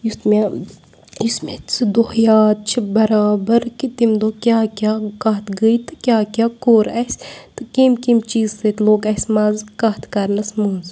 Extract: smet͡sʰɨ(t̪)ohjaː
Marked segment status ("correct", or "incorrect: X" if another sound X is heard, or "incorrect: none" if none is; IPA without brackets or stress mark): incorrect: d̪